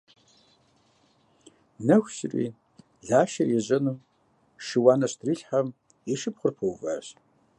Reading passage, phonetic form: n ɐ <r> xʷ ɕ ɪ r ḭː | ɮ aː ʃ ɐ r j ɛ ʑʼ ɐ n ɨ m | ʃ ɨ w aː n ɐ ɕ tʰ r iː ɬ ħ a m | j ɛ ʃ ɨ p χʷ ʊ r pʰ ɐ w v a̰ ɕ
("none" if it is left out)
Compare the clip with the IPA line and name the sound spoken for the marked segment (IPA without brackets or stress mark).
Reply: none